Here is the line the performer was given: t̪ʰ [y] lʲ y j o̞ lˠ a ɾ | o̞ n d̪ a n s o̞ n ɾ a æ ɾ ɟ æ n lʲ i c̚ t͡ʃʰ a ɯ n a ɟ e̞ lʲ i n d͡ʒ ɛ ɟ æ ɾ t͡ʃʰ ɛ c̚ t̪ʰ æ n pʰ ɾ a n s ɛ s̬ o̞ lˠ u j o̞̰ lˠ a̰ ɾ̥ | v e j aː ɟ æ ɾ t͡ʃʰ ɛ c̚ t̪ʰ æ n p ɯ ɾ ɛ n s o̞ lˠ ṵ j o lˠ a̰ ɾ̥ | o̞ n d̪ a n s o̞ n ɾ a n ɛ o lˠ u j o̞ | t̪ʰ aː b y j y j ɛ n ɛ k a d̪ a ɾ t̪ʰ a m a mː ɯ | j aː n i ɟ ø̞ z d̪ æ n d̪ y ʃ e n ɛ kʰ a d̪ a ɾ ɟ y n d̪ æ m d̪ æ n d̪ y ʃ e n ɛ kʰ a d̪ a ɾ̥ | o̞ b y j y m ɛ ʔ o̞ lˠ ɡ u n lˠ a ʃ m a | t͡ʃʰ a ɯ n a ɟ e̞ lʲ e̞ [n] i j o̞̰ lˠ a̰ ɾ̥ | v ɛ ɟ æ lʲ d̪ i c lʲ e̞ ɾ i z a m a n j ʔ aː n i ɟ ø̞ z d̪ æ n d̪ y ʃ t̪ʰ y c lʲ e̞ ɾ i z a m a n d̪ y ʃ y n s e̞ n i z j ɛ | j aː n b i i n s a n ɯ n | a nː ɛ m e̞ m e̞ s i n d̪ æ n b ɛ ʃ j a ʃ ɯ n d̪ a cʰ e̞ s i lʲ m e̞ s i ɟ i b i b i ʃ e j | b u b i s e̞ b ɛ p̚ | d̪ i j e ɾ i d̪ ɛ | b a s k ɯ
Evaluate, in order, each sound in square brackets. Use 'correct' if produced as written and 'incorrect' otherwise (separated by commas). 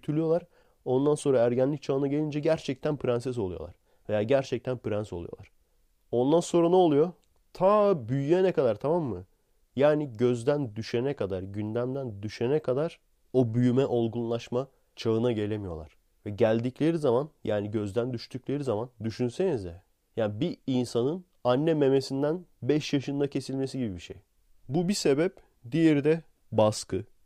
correct, incorrect